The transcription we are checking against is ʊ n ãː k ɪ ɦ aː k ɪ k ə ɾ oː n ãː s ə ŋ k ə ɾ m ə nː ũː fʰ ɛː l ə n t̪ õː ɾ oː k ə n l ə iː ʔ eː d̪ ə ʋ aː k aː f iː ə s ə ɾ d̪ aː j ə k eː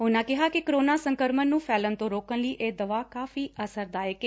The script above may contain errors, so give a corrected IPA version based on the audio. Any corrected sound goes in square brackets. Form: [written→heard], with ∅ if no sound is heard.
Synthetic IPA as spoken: ʊ n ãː k ɪ ɦ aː k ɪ k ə ɾ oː n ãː s ə ŋ k ə ɾ m ə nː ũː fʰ ɛː l ə n t̪ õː ɾ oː k ə n l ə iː ʔ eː d̪ ə ʋ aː k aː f iː ə s ə ɾ d̪ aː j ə k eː

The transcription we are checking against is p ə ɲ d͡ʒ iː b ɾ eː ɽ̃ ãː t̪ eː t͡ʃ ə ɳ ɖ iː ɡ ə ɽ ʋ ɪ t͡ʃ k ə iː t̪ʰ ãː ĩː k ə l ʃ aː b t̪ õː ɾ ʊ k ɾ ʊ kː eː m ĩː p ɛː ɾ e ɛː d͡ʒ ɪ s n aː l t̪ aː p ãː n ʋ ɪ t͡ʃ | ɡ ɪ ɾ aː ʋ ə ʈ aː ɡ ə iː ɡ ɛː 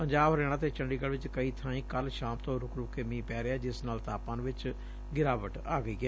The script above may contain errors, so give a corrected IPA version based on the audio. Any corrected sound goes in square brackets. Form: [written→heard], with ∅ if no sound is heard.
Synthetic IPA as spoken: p ə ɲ d͡ʒ [iː→aː] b ɾ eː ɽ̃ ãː t̪ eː t͡ʃ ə ɳ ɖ iː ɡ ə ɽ ʋ ɪ t͡ʃ k ə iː t̪ʰ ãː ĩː k ə l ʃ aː [b→m] t̪ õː ɾ ʊ k ɾ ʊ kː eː m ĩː p ɛː ɾ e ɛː d͡ʒ ɪ s n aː l t̪ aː p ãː n ʋ ɪ t͡ʃ | ɡ ɪ ɾ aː ʋ ə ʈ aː ɡ ə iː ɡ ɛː

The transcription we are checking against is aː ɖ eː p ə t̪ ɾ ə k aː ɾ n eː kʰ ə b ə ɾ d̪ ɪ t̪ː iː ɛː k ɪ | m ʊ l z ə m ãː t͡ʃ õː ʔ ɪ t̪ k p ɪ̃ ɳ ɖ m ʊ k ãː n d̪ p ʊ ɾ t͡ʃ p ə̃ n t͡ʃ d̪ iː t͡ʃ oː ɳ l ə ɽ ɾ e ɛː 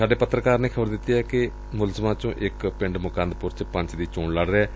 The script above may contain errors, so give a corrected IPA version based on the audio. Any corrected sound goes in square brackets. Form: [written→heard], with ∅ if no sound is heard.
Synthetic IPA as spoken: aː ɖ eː p ə t̪ ɾ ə k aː ɾ n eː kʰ ə b ə ɾ d̪ ɪ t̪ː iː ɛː k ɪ | m ʊ l z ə m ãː t͡ʃ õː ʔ ɪ [t̪→∅] k p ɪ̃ ɳ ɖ m ʊ k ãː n d̪ p ʊ ɾ t͡ʃ p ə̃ [n→ɲ] t͡ʃ d̪ iː t͡ʃ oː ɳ l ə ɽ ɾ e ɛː

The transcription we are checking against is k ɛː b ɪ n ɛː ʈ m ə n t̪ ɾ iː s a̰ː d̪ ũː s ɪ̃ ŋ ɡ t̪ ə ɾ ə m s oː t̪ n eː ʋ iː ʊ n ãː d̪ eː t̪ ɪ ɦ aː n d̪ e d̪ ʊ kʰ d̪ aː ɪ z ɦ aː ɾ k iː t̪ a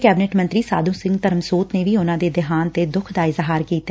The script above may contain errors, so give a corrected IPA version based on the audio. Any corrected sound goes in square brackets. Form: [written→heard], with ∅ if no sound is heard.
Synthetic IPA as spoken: k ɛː b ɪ n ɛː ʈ m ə n t̪ ɾ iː s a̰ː d̪ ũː s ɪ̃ ŋ ɡ t̪ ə ɾ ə m s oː t̪ n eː ʋ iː ʊ n ãː d̪ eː [t̪→d̪] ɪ ɦ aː n [d̪→t̪] e d̪ ʊ kʰ d̪ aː ɪ z ɦ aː ɾ k iː t̪ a

